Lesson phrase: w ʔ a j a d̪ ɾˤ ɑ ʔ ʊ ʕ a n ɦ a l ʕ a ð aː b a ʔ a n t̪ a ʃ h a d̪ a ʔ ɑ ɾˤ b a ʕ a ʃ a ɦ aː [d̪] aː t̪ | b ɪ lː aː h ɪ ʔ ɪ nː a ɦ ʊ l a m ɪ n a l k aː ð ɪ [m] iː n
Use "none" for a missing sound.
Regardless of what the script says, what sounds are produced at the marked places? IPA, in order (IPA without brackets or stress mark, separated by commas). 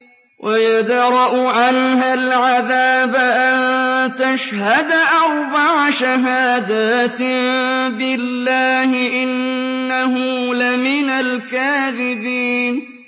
d̪, b